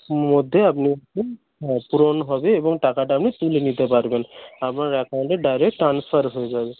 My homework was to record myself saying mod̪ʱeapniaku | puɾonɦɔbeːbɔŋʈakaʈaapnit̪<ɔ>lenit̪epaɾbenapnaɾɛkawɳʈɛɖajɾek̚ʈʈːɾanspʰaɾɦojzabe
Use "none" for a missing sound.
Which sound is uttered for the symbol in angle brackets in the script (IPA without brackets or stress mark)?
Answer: u